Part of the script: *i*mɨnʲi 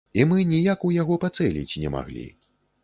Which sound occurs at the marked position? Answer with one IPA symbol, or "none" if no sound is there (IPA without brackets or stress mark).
i